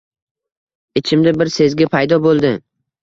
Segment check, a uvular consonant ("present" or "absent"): absent